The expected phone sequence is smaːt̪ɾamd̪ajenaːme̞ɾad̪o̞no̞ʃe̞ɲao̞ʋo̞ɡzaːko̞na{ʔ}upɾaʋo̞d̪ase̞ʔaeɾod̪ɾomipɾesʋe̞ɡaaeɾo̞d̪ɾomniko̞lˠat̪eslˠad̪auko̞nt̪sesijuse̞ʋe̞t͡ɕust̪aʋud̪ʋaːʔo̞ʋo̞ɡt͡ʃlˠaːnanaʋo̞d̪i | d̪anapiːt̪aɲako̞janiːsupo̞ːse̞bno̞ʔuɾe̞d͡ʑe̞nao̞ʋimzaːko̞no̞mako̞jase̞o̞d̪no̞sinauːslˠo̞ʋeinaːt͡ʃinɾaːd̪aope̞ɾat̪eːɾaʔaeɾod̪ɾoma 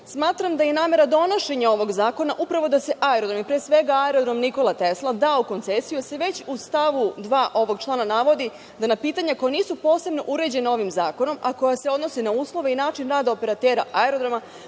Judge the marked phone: correct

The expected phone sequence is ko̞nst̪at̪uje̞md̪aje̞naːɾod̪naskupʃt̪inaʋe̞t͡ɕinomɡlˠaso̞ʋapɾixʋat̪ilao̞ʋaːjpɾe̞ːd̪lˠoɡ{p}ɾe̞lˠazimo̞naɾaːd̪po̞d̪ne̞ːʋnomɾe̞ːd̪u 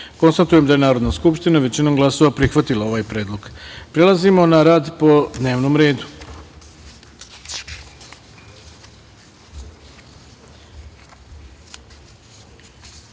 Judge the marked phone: correct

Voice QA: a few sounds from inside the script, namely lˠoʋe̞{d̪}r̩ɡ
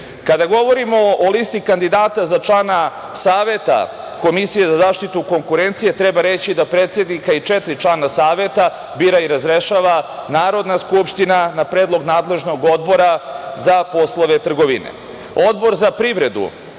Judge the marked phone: incorrect: t̪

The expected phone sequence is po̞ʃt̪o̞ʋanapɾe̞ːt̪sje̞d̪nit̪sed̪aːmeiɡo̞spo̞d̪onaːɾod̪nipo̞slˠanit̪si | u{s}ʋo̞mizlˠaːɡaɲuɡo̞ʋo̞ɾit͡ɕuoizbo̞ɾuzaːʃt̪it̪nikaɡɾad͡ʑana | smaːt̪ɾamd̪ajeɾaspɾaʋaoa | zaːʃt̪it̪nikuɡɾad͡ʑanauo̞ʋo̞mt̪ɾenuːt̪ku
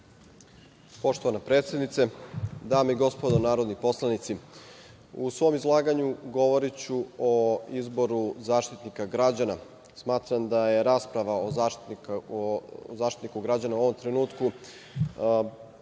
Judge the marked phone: correct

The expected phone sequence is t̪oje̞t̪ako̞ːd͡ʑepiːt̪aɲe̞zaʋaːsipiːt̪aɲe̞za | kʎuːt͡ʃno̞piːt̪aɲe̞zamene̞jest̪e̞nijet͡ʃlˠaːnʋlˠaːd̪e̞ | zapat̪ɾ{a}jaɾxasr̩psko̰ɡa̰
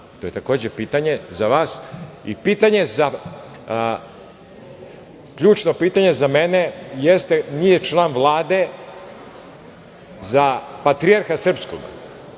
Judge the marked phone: incorrect: i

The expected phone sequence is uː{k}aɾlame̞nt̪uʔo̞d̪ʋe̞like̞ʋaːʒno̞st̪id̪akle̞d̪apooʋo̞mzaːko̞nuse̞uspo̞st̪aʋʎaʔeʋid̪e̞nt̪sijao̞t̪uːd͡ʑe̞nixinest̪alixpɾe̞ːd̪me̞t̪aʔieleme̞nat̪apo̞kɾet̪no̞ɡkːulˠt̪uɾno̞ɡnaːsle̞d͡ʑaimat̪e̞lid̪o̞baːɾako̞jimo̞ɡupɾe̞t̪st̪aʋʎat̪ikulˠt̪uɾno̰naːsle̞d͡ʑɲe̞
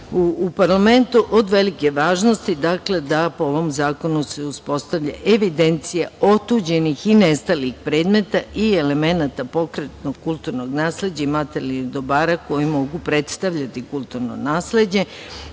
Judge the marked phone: incorrect: p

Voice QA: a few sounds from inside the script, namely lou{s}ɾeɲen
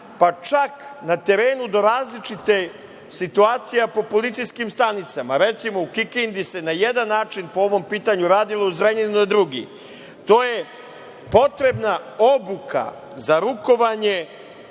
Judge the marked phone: incorrect: z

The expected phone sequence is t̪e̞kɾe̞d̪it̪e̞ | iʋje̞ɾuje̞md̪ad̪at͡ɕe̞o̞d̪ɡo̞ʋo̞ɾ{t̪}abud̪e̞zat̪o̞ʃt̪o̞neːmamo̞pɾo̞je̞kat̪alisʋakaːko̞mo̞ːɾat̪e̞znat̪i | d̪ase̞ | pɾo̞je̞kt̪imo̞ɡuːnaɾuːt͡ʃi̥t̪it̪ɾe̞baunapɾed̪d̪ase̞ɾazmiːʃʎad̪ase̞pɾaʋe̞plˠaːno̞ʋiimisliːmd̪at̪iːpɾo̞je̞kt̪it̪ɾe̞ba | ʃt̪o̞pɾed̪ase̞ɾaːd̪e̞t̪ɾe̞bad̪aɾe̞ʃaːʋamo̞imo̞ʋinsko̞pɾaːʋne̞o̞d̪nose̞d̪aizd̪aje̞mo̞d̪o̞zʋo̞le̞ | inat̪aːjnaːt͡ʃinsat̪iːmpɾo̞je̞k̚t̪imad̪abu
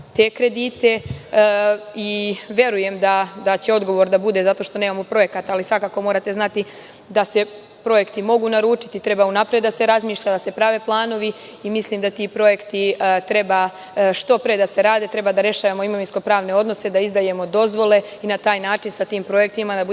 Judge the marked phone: incorrect: d̪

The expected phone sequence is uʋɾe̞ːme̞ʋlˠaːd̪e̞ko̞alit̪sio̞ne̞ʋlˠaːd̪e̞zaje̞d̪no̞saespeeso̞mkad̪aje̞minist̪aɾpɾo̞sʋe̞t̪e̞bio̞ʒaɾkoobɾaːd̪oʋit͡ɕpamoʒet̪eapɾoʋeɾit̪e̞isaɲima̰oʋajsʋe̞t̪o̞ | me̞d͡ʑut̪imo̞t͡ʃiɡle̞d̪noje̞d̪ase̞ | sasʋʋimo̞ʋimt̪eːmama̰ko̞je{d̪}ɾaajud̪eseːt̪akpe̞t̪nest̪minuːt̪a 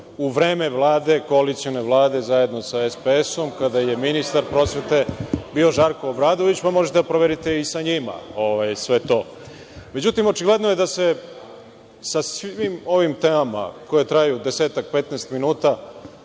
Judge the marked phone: incorrect: t̪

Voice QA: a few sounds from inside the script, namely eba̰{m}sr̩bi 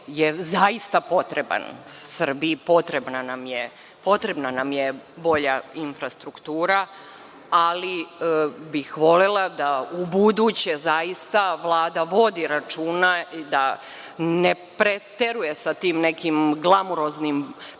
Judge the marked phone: incorrect: n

